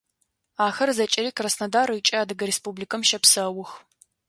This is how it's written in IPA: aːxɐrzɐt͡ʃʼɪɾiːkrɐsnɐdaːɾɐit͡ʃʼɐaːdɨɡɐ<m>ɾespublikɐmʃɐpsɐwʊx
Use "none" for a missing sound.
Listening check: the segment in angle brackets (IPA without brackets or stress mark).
none